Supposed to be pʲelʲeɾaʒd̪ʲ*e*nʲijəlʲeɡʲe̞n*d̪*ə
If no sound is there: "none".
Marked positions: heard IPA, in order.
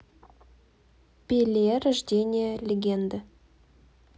e, d̪

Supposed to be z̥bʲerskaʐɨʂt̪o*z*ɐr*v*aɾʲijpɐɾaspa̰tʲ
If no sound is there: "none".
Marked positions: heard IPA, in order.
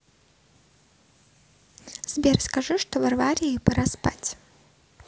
v, v

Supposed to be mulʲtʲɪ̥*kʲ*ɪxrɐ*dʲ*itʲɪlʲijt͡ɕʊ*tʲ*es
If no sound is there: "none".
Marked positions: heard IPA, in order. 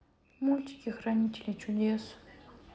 kʲ, nʲ, dʲ

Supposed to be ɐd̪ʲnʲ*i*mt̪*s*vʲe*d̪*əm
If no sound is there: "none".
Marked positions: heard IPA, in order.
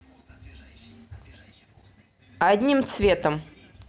i, s, t̪

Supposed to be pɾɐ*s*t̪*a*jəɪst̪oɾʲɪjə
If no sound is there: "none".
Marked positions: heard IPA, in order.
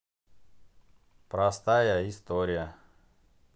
s, a

